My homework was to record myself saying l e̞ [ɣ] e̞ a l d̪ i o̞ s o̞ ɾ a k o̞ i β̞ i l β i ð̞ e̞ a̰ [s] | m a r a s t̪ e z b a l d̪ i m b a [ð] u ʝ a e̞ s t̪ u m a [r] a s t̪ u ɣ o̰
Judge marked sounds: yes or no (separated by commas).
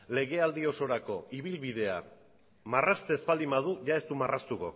yes, no, yes, yes